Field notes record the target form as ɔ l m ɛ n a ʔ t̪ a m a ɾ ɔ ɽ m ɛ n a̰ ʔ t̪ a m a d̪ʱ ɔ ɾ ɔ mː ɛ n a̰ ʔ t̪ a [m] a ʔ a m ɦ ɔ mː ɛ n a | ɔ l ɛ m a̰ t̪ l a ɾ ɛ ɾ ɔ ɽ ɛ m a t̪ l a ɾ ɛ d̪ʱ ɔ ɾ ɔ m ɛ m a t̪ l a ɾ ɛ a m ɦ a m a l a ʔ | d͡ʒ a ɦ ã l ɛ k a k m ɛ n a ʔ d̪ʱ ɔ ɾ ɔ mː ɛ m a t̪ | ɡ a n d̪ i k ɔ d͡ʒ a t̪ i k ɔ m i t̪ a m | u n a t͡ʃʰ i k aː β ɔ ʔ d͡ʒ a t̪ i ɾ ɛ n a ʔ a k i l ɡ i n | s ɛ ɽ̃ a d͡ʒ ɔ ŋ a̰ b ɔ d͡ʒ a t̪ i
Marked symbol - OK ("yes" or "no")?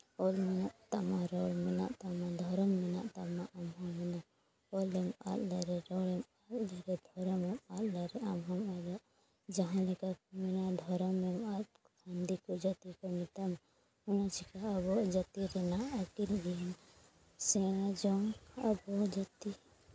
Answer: yes